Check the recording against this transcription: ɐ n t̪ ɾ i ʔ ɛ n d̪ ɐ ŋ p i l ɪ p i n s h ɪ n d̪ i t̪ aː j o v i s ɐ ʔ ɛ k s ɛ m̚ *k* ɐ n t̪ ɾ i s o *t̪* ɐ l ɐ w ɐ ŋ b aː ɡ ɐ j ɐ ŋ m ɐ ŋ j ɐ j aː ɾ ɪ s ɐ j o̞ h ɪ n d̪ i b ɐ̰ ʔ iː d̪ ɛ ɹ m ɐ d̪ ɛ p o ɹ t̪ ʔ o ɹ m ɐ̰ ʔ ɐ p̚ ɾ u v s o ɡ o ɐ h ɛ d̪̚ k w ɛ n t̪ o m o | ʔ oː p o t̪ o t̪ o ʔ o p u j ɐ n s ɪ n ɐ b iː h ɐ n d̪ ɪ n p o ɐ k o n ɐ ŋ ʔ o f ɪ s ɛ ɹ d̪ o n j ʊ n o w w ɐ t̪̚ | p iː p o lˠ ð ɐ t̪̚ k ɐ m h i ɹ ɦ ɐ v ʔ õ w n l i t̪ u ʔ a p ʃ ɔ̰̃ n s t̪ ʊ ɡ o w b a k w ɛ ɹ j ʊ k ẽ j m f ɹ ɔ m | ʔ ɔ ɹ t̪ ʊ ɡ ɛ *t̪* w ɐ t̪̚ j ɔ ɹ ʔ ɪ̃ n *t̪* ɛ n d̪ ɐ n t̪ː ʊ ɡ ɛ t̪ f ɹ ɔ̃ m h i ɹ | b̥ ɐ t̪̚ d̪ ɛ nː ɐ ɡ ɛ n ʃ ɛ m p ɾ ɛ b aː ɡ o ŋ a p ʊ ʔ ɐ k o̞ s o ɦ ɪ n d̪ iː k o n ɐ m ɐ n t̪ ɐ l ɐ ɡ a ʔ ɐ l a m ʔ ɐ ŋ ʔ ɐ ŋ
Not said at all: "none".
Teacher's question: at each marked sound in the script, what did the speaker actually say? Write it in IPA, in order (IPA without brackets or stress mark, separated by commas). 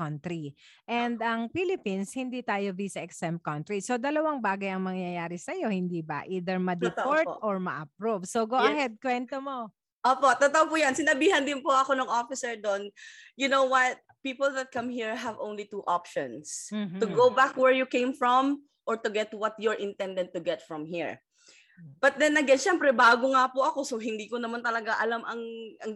k, d̪, t̪, t̪